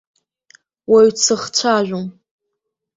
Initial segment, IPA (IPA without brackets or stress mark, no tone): w